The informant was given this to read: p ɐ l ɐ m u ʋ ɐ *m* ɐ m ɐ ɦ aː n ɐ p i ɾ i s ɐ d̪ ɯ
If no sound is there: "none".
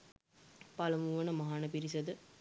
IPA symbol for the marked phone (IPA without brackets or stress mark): n